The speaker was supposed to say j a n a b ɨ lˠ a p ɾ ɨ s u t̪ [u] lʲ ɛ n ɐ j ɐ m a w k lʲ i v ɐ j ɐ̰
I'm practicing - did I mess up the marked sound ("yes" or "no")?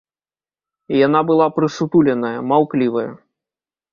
no